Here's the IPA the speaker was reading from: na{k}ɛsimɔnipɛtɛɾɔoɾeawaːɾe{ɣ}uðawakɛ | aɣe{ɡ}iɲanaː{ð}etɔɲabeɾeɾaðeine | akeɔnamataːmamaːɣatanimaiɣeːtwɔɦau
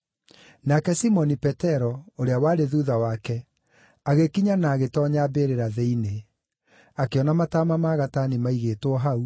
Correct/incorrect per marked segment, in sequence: correct, incorrect, incorrect, incorrect

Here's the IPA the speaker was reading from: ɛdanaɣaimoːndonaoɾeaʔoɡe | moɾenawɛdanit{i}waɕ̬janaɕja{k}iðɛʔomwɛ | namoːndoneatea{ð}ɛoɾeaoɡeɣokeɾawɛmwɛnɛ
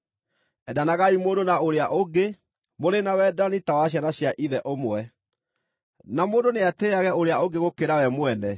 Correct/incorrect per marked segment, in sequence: incorrect, incorrect, incorrect

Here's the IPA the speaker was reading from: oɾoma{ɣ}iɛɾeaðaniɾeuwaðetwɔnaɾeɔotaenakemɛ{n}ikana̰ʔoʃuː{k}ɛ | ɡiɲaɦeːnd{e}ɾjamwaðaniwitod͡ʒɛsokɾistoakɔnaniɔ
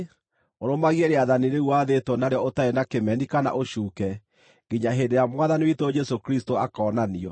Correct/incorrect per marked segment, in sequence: correct, correct, correct, correct

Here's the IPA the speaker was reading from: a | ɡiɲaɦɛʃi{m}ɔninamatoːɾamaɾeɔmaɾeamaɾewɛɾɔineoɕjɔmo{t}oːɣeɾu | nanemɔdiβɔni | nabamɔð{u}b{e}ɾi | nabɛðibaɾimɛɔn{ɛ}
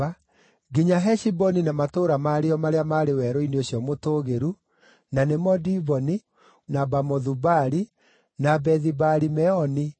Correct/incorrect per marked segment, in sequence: incorrect, correct, correct, incorrect, incorrect

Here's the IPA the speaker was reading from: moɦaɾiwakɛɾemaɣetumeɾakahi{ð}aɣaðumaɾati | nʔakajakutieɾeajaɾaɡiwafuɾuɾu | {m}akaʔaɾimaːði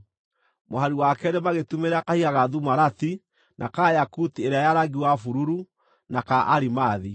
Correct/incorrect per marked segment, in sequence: incorrect, incorrect

